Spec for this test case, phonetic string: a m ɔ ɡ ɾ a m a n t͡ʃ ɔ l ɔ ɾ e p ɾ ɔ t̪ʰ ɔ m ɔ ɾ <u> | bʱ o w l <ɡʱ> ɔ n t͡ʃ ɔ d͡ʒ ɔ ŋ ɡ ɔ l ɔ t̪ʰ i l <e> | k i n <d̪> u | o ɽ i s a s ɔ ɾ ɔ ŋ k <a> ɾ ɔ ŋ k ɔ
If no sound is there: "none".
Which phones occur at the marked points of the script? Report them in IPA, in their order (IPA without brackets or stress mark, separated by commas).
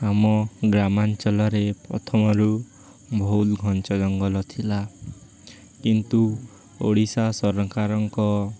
u, ɡʱ, a, t̪, a